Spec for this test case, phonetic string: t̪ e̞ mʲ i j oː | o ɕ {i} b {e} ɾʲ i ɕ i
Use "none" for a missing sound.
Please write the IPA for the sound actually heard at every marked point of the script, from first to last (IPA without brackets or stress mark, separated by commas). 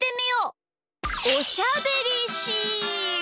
a, e